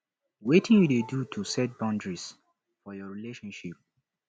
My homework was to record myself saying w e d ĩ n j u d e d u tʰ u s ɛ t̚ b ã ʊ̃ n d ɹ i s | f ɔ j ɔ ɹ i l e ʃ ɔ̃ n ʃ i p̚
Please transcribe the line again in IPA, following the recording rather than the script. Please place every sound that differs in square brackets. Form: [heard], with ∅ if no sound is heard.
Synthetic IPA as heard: w e [t] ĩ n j u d e d u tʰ u s ɛ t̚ b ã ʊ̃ n d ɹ i s | f ɔ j ɔ ɹ i l e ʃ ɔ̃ n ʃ i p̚